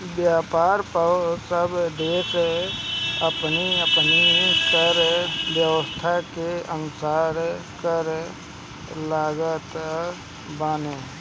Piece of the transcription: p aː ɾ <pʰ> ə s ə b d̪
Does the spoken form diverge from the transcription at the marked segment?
yes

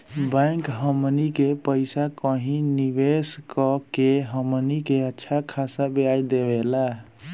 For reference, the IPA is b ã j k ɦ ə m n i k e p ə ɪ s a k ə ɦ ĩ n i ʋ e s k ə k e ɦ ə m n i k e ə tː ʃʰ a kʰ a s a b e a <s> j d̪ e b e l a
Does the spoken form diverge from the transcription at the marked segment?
yes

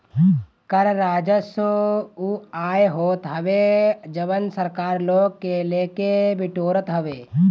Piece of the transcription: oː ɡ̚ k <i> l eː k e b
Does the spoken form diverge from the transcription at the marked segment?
yes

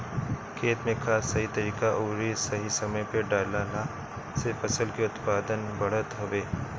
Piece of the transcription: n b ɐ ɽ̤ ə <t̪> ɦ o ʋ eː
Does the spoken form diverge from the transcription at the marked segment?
no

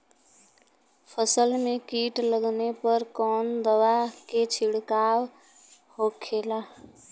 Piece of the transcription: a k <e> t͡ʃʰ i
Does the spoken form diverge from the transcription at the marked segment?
no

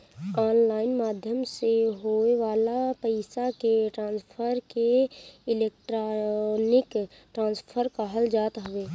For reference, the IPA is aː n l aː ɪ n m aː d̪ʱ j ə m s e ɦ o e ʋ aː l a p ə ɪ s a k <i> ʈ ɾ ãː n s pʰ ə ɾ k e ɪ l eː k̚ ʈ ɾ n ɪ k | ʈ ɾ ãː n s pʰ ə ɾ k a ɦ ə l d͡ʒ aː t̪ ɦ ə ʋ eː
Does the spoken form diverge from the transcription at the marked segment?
yes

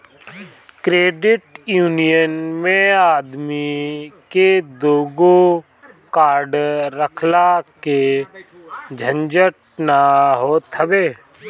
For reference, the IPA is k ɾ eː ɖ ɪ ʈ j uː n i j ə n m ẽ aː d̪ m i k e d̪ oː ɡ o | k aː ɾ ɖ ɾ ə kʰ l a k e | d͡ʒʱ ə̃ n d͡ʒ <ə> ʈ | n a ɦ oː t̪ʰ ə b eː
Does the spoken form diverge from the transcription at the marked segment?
no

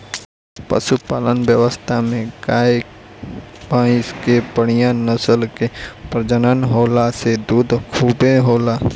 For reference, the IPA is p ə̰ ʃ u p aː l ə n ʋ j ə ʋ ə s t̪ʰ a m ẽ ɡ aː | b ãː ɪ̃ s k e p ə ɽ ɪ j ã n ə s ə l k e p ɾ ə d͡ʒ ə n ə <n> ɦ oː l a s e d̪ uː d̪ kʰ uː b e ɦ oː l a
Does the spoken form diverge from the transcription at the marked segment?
no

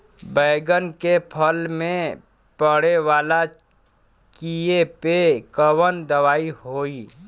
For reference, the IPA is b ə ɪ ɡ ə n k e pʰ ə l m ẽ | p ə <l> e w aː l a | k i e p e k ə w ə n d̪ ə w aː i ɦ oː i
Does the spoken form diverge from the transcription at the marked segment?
yes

